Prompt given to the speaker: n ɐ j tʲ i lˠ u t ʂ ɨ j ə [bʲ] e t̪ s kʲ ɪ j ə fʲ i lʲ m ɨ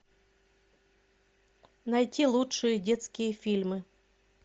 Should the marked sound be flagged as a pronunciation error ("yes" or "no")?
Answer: yes